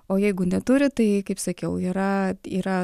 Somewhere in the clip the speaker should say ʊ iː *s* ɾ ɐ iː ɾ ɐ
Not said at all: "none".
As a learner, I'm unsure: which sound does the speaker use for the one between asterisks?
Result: none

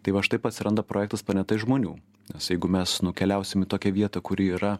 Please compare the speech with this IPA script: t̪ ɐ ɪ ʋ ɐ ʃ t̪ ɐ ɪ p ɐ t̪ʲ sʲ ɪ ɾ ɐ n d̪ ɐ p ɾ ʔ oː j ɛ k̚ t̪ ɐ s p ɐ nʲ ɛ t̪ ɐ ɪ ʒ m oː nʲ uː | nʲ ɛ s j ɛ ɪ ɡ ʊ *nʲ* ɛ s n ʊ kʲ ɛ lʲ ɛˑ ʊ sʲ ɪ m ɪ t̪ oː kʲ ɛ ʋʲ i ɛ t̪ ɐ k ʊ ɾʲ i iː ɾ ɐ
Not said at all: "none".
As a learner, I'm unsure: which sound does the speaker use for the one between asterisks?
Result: mʲ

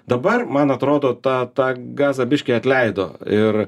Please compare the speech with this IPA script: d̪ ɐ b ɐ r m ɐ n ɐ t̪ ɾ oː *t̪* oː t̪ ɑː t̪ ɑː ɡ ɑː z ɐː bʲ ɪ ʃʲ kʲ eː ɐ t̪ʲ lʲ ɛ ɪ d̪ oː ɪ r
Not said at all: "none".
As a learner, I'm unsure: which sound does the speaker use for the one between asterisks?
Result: d̪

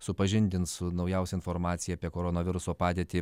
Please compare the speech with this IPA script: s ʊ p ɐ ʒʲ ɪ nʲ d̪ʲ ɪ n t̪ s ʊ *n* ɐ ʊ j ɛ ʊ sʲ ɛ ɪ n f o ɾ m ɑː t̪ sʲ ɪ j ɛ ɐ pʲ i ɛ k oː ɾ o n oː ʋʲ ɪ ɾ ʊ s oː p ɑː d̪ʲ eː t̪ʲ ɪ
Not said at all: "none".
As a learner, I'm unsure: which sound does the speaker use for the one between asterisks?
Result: n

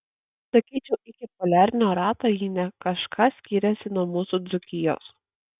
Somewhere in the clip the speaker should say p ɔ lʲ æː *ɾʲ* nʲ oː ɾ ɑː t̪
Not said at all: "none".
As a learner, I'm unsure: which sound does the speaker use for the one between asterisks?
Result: ɾʲ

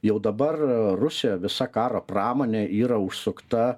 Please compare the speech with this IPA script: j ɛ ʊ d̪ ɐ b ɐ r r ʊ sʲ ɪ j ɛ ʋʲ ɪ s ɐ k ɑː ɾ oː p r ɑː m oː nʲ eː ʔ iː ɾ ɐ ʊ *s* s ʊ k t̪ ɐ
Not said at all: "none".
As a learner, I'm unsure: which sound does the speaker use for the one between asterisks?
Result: ʃ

